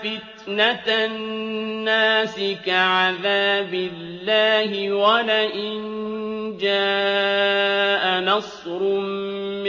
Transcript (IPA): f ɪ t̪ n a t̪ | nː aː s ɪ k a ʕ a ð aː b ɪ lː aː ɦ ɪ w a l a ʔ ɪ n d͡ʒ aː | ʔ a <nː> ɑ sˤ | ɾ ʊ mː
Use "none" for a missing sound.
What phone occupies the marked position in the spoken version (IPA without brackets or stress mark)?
n